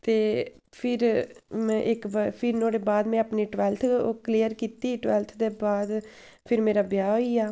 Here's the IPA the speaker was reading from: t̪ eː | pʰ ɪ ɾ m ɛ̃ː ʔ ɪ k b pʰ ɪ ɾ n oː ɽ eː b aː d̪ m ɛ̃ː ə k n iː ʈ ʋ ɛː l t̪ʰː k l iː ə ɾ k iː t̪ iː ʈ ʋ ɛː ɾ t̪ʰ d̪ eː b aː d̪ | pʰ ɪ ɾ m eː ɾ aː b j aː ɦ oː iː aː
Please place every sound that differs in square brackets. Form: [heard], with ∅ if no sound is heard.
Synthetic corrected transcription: t̪ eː | pʰ ɪ ɾ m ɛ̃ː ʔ ɪ k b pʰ ɪ ɾ n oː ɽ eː b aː d̪ m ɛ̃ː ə [p] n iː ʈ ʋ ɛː l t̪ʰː k l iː ə ɾ k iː t̪ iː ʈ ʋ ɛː [l] t̪ʰ d̪ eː b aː d̪ | pʰ ɪ ɾ m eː ɾ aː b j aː ɦ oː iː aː